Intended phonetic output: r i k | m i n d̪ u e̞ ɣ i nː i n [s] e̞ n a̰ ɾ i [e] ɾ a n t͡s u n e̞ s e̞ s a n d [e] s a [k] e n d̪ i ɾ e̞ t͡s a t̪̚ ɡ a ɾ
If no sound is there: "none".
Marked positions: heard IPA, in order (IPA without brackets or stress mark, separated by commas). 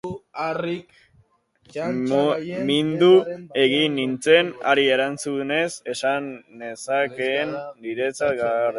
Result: t͡s, e, e, k